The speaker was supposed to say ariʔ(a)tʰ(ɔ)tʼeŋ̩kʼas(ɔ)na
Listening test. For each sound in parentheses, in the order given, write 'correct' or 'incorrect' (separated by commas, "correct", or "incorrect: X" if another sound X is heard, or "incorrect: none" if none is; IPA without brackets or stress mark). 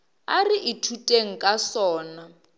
incorrect: i, incorrect: u, incorrect: ɔː